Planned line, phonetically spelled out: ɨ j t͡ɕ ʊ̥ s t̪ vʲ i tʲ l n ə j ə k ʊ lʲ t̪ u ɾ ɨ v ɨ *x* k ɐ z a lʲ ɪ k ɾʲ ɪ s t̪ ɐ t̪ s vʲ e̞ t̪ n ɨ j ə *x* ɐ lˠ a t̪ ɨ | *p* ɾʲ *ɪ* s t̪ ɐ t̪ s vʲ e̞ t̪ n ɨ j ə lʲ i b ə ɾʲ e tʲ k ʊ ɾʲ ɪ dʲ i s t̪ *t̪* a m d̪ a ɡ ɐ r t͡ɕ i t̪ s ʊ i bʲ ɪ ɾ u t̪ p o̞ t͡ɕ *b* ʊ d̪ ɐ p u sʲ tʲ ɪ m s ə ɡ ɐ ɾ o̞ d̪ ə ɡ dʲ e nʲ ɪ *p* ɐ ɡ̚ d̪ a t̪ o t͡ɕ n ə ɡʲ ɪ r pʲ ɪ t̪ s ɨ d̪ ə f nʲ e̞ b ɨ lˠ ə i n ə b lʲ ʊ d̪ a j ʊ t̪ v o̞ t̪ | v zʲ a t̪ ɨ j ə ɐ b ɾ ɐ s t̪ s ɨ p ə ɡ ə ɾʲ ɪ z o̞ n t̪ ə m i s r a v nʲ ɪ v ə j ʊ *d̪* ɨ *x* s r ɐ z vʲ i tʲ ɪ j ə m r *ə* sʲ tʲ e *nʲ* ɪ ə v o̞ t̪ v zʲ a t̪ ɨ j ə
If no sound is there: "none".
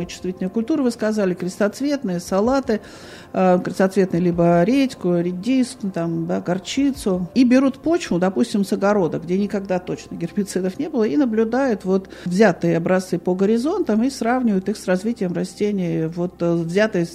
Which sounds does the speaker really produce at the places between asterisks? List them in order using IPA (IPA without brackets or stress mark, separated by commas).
s, s, k, ɪ, t̪, v, k, t̪, x, ɐ, nʲ